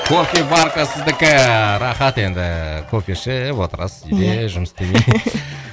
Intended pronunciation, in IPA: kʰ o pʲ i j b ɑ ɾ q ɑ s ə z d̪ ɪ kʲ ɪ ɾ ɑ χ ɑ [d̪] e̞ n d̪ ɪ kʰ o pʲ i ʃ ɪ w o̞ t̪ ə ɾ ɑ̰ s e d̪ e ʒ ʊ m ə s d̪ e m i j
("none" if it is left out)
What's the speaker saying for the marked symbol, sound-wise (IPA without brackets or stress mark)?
t̪